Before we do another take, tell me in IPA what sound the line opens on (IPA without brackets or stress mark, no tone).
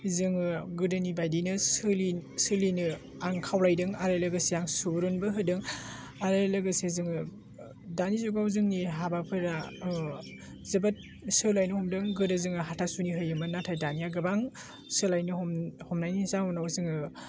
z